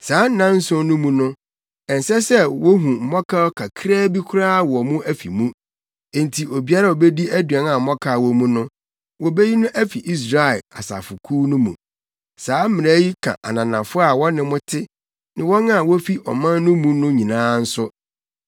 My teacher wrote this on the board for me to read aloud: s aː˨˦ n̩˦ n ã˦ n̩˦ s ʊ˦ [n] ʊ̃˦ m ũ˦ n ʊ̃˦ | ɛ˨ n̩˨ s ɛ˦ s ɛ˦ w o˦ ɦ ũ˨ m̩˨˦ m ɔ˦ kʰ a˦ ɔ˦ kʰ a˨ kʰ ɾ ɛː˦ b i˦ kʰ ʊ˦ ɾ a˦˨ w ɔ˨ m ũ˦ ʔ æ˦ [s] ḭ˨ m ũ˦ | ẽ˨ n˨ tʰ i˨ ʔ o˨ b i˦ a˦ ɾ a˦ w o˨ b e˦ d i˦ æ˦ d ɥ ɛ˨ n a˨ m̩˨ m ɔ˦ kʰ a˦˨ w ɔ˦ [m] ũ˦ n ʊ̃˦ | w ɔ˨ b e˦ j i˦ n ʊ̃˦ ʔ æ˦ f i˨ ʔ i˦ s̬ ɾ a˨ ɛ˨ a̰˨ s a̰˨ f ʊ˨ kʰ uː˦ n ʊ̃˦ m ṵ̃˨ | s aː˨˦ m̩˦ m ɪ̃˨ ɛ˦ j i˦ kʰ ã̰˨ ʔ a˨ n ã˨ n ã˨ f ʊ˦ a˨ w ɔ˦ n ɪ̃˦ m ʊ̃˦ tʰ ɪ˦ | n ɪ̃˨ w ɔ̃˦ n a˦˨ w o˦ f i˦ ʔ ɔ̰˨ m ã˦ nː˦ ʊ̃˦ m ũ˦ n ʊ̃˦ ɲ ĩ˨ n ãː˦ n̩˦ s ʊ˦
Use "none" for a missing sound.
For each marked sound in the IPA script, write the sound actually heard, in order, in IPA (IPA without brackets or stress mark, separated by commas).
n, f, m